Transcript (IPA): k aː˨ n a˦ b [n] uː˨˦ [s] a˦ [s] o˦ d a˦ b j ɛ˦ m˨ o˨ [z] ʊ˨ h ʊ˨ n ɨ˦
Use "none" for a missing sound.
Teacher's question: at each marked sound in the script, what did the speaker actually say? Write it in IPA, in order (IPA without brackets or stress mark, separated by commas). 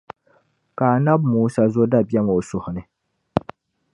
m, s, z, s